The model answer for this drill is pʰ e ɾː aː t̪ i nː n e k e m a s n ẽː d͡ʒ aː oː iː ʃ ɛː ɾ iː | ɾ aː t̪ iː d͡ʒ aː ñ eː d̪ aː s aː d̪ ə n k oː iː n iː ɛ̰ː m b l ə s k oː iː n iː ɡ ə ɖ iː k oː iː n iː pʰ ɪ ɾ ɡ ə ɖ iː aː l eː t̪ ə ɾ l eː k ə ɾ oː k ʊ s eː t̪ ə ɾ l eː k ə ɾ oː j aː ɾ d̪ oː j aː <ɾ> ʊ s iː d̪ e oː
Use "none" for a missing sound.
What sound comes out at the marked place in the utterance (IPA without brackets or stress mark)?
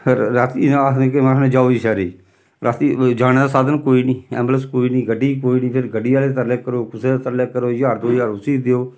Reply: ɾ